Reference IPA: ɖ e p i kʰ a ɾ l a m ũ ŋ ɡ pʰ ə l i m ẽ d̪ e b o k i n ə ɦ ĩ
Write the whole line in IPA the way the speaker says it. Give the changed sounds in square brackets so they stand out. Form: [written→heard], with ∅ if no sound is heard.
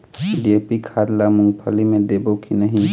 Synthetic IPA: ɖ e p i kʰ a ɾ l a m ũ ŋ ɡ pʰ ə l i m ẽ d̪ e b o k i n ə ɦ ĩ